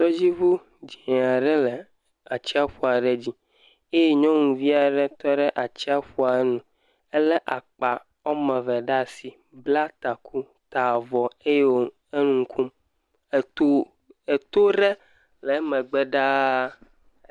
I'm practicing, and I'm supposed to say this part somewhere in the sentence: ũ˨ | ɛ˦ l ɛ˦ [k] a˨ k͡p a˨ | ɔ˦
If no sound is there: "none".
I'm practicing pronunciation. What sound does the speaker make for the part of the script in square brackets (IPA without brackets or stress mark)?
ʔ